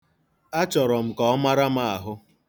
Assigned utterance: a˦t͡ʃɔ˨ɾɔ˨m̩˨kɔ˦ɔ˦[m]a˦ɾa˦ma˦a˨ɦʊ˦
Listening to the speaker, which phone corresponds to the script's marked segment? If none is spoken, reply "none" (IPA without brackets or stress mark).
m